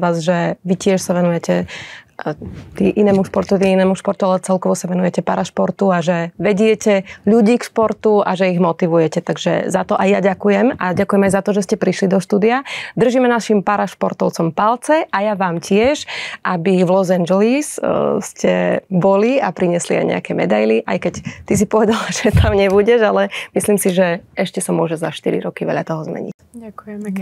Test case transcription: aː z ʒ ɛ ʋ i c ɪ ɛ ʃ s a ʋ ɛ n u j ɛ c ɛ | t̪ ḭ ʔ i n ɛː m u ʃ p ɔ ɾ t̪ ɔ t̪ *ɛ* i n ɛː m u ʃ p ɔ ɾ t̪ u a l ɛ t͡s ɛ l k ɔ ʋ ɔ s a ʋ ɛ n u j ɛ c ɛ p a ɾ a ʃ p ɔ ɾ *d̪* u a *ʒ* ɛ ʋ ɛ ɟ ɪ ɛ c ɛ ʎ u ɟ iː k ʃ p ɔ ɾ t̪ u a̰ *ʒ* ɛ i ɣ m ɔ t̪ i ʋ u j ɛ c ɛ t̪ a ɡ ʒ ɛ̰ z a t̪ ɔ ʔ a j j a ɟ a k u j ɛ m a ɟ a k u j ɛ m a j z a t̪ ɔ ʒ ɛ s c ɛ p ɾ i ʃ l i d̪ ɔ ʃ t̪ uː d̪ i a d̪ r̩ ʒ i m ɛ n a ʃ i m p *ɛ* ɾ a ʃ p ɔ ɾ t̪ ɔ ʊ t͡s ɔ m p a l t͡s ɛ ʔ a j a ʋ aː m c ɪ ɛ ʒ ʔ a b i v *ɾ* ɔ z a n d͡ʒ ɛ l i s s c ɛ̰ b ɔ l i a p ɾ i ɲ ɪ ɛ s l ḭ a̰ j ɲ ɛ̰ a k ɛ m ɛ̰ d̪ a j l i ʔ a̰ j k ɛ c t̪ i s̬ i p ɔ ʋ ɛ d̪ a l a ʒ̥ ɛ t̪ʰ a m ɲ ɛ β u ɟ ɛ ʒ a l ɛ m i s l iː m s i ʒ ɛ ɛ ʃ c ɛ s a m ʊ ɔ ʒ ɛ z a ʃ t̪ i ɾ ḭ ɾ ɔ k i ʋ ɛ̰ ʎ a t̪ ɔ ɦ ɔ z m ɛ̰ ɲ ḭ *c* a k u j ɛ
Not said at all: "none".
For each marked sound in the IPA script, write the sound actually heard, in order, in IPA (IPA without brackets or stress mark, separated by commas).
i, t̪, ʒ, ʒ, a, l, c